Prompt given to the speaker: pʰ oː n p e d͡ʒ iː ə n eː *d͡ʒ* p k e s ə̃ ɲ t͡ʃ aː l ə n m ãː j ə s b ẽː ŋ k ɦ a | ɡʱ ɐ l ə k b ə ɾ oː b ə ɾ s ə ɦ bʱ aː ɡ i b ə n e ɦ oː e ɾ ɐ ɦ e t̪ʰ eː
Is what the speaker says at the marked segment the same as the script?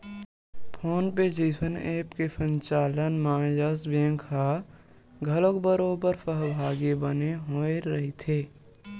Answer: no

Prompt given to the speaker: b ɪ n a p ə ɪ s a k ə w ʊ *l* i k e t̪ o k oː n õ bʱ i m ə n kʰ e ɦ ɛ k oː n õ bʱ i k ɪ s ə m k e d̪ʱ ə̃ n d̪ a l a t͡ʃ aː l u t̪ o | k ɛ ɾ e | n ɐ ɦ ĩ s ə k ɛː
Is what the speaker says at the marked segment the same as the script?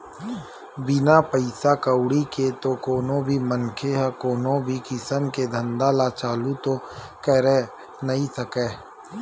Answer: no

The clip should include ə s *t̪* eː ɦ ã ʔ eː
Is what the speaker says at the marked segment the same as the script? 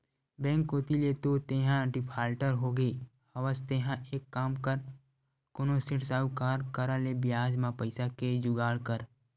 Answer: yes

